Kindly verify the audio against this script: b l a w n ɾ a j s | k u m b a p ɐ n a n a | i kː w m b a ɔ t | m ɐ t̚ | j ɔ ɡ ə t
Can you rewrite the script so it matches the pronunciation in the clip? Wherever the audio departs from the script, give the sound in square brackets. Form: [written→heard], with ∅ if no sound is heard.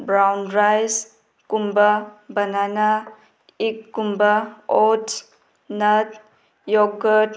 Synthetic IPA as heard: b [l→ɾ] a w n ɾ a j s | k u m b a [p→b] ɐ n a n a | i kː [w→u] m b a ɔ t | [m→n] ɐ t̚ | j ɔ ɡ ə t